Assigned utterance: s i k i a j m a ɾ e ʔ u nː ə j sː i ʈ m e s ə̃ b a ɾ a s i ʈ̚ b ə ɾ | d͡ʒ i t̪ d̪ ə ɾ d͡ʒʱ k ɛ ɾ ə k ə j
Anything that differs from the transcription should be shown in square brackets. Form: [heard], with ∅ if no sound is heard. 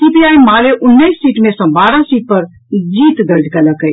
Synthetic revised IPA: s i [p] i a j m a [l] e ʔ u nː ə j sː i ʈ m e s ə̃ b a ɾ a s i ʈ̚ [p] ə ɾ | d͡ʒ i t̪ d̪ ə ɾ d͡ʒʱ k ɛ [l] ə k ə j